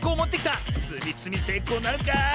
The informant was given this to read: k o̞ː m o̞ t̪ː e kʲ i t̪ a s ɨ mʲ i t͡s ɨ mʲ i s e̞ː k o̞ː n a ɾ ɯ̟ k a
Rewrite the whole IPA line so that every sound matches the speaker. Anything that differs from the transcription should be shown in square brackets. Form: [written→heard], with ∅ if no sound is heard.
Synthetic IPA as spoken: k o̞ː m o̞ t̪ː e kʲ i t̪ a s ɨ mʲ i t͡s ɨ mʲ i s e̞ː k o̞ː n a ɾ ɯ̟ k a